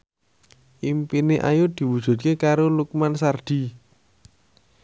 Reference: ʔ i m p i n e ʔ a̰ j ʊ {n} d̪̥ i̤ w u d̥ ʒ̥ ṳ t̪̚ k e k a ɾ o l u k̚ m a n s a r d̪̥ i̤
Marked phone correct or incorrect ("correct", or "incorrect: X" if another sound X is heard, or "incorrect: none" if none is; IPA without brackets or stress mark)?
incorrect: none